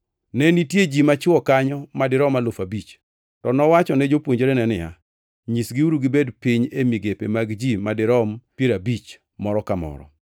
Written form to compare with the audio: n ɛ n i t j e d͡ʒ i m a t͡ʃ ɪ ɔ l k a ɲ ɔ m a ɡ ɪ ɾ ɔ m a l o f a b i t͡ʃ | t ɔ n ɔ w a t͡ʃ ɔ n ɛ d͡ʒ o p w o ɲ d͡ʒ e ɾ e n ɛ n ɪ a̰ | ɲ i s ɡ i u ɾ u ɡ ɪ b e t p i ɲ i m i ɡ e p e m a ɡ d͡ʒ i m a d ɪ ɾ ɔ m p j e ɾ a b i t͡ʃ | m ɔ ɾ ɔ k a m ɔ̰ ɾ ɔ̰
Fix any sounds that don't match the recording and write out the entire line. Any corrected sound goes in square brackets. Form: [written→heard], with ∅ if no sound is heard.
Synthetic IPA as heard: n ɛ n i t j e d͡ʒ i m a t͡ʃ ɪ ɔ [l→∅] k a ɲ ɔ m a [ɡ→d] ɪ ɾ ɔ m a l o f a b i t͡ʃ | t ɔ n ɔ w a t͡ʃ ɔ n ɛ d͡ʒ o p w o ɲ d͡ʒ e ɾ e n ɛ n ɪ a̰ | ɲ i s ɡ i u ɾ u ɡ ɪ b e [t→d] p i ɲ [i→e] m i ɡ e p e m a ɡ d͡ʒ i m a d ɪ ɾ ɔ m p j e ɾ a b i t͡ʃ | m ɔ ɾ ɔ k a m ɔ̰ ɾ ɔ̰